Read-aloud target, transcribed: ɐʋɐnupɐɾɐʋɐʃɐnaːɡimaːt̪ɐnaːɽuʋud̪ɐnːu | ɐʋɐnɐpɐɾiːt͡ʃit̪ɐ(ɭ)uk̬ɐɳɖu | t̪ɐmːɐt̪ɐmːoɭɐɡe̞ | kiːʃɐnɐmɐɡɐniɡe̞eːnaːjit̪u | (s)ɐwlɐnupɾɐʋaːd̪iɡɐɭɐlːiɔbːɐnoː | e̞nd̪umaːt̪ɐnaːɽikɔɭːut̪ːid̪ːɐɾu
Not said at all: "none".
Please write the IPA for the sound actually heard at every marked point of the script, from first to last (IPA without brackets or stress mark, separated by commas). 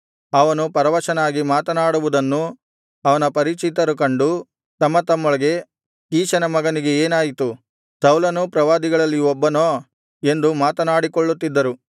ɾ, s